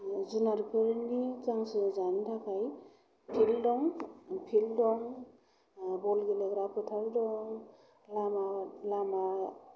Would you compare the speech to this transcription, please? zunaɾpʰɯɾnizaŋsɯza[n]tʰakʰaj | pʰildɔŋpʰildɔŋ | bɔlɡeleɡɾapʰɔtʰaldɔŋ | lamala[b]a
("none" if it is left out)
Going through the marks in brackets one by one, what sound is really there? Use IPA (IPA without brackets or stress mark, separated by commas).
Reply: n, m